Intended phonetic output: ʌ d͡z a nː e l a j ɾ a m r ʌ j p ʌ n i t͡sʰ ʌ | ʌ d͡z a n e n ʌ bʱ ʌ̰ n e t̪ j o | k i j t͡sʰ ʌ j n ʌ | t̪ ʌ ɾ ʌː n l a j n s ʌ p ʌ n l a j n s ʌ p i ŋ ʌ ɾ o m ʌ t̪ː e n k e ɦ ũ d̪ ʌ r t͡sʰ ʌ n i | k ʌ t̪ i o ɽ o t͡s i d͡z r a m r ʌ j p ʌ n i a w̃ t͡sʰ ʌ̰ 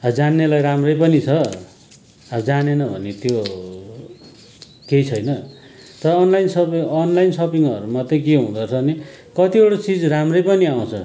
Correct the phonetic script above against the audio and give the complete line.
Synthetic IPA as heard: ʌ d͡z a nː e l a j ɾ a m r ʌ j p ʌ n i t͡sʰ ʌ | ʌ d͡z a n e n ʌ bʱ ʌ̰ n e t̪ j o | k e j t͡sʰ ʌ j n ʌ | t̪ ʌ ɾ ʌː n l a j n s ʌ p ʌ n l a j n s ʌ p i ŋ ʌ ɾ u m ʌ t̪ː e k e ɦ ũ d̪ ʌ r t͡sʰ ʌ n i | k ʌ t̪ i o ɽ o t͡s i d͡z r a m r ʌ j p ʌ n i a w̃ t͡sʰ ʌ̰